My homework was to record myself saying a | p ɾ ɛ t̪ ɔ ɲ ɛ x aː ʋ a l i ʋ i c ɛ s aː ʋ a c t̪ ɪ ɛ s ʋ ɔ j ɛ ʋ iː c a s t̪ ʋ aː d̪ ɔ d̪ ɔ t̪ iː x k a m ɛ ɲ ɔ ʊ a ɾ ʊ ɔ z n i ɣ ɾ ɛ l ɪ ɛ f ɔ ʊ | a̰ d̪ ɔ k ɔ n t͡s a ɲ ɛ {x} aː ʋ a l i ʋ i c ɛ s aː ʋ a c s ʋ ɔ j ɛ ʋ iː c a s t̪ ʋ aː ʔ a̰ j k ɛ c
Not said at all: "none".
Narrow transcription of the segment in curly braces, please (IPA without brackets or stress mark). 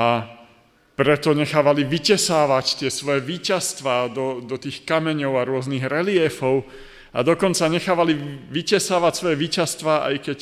x